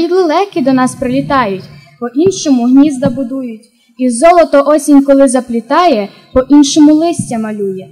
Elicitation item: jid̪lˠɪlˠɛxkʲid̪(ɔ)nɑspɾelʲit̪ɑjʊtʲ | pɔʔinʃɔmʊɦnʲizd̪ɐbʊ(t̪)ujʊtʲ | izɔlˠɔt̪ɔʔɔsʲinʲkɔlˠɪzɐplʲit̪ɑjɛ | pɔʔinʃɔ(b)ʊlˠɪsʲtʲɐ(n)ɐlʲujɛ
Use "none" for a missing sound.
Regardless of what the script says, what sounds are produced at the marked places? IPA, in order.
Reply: ɔ, d̪, m, m

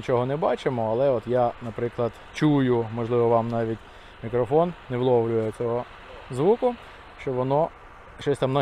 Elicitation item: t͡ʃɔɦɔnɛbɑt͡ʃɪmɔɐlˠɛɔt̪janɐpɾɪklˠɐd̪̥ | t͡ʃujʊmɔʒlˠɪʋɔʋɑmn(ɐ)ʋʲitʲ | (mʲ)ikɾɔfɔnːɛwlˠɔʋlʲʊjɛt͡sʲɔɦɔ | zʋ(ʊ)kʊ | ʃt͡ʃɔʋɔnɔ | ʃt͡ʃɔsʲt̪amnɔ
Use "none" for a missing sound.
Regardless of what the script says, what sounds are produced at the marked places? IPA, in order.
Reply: ɑ, mʲ, u

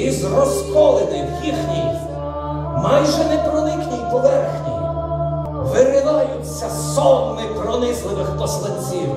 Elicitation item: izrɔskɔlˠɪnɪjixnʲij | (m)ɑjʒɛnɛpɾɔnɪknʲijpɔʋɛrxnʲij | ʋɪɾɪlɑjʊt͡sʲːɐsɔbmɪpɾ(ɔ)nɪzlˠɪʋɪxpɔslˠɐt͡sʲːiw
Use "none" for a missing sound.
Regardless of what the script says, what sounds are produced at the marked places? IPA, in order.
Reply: m, ɔ

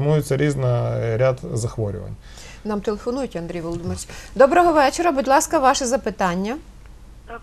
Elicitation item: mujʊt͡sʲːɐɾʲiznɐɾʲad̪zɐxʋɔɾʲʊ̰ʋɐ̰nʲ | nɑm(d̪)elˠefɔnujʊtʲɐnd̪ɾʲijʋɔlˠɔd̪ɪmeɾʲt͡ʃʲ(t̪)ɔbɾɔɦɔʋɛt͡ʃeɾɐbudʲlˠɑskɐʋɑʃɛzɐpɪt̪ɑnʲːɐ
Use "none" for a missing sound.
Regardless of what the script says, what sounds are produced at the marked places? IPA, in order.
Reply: t̪, d̪

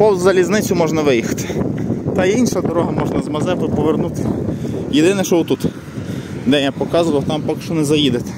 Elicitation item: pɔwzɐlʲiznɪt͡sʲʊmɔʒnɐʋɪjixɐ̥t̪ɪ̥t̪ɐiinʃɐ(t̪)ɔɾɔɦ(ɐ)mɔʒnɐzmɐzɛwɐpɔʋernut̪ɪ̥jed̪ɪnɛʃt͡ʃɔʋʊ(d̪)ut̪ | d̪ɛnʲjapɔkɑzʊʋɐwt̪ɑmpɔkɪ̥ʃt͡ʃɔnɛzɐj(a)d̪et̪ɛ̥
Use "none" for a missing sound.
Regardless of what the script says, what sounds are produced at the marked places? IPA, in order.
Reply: d̪, ɐ, t̪, i

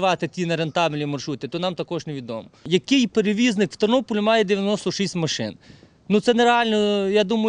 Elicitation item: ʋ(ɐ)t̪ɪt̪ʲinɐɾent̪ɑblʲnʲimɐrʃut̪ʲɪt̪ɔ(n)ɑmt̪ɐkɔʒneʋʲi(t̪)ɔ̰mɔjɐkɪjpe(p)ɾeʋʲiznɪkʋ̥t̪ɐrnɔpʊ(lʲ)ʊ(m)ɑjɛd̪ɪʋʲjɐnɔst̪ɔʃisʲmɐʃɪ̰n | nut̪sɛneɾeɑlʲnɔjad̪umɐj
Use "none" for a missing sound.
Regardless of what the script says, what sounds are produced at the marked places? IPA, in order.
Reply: ɑ, n, d̪, none, lʲ, m

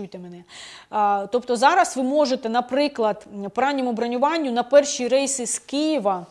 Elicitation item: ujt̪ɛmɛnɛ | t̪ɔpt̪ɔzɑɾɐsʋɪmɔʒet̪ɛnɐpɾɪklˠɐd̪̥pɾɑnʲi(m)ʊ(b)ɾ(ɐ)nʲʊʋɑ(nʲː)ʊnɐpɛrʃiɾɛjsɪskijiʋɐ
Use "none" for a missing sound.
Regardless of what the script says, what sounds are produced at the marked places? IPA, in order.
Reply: m, b, ɐ, nʲː

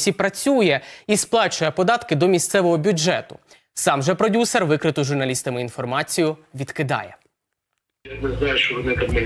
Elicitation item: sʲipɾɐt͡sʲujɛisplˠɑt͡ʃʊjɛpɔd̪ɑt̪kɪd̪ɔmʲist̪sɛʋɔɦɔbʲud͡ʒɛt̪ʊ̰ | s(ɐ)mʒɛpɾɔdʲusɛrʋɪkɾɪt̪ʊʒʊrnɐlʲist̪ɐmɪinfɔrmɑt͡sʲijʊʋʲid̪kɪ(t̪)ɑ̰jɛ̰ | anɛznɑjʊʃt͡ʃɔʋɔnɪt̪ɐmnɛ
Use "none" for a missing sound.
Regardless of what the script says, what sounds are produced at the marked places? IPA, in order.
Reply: ɑ, d̪

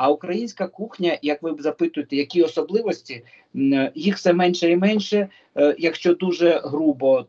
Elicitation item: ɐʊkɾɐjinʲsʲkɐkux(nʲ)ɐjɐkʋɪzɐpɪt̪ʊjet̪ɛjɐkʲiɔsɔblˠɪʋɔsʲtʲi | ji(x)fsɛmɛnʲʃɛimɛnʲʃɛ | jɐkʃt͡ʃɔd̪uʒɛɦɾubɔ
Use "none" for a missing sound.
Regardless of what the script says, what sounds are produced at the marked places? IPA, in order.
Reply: nʲ, x

